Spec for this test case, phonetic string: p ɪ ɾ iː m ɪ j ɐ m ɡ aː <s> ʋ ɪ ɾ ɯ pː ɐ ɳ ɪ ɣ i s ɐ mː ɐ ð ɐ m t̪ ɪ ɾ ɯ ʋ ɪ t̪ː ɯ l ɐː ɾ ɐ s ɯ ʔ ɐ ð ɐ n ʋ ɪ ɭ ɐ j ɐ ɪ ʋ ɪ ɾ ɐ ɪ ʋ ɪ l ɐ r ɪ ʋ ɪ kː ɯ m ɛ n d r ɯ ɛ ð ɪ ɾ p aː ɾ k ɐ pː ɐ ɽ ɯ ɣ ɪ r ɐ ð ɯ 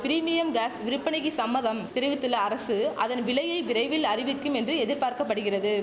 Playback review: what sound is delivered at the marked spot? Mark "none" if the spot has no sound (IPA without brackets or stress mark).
s